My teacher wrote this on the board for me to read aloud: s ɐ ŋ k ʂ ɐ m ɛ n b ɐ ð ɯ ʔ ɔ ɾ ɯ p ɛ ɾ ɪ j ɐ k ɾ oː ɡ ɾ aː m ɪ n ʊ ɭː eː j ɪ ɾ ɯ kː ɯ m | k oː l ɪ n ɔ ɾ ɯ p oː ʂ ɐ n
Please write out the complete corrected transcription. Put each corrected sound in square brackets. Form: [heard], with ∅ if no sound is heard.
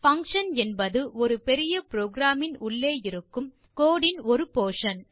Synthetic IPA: [f] ɐ ŋ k ʂ ɐ [n] ɛ n b ɐ ð ɯ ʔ ɔ ɾ ɯ p ɛ ɾ ɪ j ɐ [p] ɾ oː ɡ ɾ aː m ɪ n ʊ ɭː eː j ɪ ɾ ɯ kː ɯ m | k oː [ɽ] ɪ n ɔ ɾ ɯ p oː ʂ ɐ n